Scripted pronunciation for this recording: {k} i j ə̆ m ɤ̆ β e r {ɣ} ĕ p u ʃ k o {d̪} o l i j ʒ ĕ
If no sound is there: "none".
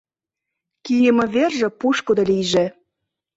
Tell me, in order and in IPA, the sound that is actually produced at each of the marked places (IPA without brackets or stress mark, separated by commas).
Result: k, ʒ, d̪